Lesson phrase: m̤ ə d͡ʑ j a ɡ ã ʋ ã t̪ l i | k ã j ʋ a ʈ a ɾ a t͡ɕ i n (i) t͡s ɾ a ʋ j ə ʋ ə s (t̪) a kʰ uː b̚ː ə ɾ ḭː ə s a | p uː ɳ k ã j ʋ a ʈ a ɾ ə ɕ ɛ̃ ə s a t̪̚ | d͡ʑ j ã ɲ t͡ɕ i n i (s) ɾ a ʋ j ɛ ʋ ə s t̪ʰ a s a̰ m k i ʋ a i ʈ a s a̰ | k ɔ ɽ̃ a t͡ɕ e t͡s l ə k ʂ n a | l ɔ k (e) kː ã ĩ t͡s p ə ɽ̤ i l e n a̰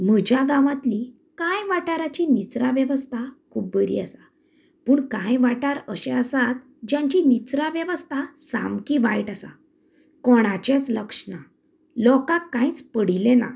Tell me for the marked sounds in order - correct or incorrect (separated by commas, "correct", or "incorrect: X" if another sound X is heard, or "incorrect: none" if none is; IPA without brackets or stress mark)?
correct, incorrect: t̪ʰ, incorrect: t͡s, incorrect: a